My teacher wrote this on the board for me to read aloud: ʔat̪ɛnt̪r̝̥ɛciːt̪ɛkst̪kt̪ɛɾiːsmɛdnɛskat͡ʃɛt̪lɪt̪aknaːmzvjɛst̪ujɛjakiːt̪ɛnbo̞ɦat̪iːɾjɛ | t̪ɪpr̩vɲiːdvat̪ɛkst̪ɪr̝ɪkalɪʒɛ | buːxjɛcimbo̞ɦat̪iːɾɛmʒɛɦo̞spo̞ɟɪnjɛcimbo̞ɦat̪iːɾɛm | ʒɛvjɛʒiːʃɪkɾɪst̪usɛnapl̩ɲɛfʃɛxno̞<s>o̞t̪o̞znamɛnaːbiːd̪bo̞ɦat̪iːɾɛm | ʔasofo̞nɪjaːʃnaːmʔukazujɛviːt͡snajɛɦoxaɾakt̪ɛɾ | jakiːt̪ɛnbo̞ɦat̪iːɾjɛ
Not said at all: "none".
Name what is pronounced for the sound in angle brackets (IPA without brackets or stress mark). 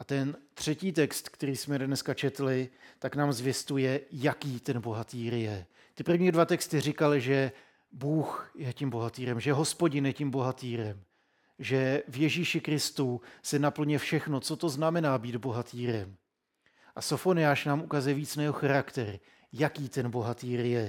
t͡s